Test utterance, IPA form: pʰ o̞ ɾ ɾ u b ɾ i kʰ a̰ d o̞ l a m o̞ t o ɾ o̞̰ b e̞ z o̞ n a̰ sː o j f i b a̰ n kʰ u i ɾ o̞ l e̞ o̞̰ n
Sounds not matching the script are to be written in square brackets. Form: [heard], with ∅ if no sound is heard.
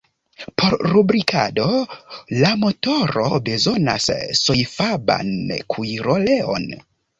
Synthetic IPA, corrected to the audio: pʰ o̞ ɾ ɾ u b ɾ i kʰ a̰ d o̞ l a m o̞ t o ɾ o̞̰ b e̞ z o̞ n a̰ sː o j f [a] b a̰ n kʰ u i ɾ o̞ l e̞ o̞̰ n